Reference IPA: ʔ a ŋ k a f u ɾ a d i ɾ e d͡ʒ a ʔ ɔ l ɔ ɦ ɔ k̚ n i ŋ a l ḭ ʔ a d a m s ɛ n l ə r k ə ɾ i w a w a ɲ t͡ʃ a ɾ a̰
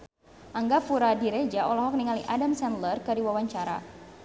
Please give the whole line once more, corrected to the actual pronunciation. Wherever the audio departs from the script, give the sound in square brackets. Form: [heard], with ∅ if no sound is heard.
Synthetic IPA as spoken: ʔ a ŋ [ɡ] a f u ɾ a d i ɾ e d͡ʒ a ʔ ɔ l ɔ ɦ ɔ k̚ n i ŋ a l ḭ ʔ a d a m s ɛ n l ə r k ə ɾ i w a w a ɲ t͡ʃ a ɾ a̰